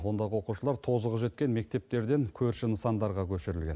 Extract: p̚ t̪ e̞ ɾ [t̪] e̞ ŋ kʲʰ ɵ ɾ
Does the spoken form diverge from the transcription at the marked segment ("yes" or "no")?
yes